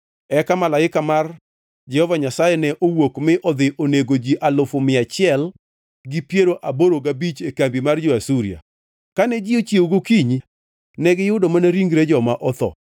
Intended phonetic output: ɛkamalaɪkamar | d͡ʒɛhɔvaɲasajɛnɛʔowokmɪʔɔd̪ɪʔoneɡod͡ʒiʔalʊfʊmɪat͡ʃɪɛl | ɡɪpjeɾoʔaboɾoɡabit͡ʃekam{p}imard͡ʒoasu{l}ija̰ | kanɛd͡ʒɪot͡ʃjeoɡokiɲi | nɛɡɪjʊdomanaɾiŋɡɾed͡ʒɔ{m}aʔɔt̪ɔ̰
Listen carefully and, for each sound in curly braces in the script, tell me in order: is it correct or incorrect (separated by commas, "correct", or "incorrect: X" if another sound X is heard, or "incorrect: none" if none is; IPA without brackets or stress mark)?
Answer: incorrect: b, incorrect: ɾ, correct